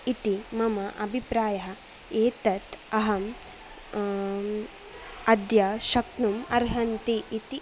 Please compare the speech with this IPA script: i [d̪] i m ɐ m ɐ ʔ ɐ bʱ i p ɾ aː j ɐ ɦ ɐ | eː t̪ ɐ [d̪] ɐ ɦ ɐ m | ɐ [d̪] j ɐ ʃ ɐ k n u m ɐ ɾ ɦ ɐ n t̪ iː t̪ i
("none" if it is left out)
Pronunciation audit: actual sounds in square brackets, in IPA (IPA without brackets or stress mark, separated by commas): t̪, t̪, d̪